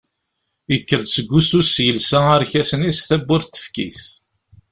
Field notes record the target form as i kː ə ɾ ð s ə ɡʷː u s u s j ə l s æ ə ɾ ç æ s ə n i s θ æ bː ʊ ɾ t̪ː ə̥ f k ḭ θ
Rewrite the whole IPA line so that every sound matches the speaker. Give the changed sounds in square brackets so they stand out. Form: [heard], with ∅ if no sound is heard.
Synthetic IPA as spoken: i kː ə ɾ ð s ə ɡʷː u s u s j ə l s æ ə ɾ ç æ s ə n i s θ æ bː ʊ ɾ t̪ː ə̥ f k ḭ θ